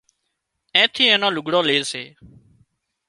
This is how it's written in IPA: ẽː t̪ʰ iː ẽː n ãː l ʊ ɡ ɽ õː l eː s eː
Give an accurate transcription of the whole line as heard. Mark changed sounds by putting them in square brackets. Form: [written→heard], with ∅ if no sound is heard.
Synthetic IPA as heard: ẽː t̪ʰ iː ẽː n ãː l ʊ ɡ ɽ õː l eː s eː